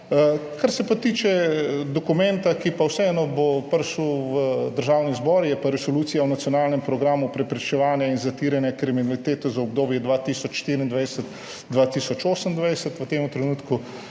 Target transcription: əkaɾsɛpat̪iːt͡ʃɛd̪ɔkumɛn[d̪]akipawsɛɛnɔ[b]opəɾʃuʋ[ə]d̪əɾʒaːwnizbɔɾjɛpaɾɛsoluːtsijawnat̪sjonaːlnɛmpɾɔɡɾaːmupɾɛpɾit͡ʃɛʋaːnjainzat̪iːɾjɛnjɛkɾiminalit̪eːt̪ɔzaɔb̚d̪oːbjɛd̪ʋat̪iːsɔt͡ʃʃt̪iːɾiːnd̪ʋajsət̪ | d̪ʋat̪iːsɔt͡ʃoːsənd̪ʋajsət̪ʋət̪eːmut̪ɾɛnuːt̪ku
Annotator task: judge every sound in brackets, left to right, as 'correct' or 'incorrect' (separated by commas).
incorrect, correct, correct